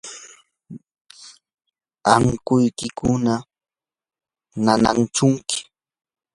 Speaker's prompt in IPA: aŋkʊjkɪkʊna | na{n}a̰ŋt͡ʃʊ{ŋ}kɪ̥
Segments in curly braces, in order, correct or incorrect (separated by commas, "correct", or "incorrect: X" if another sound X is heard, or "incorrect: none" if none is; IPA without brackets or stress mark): correct, correct